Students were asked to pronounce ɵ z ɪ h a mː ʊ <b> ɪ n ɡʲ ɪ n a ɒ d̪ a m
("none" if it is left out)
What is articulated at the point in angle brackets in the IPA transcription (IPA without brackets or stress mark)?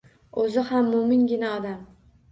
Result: m